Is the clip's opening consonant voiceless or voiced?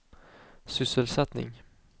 voiceless